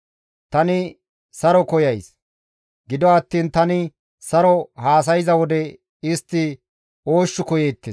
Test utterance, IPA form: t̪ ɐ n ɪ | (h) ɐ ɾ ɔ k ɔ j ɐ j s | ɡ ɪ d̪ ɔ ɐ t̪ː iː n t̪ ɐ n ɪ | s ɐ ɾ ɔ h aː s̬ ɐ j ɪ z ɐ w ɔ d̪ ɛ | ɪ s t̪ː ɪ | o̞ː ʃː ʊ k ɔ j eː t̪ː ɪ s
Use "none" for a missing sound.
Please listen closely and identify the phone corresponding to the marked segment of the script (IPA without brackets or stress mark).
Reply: s